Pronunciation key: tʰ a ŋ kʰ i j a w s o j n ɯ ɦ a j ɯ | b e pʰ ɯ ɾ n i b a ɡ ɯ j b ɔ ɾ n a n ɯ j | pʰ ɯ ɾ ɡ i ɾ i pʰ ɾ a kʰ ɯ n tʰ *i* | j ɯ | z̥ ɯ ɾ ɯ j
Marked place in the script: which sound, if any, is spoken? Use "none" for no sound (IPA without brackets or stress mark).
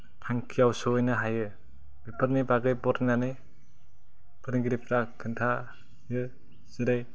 a